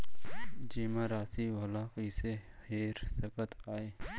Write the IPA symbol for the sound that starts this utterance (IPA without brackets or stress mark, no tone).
d͡ʒ